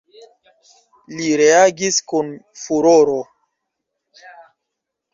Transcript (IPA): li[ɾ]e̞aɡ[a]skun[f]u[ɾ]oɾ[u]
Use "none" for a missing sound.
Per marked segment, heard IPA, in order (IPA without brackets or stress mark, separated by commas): ɾ, i, f, ɾ, o